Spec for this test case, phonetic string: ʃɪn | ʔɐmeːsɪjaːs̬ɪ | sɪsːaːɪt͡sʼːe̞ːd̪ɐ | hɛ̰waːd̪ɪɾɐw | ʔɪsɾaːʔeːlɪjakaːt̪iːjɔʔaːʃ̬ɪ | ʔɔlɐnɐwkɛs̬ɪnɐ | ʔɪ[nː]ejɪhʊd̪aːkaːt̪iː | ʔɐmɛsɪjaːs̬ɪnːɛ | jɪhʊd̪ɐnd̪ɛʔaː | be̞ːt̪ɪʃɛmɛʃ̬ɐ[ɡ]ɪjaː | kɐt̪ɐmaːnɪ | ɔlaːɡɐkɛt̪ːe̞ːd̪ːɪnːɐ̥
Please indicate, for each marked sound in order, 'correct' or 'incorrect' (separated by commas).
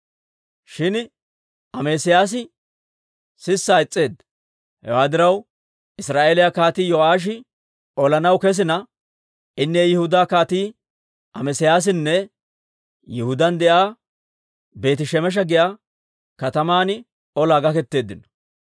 correct, correct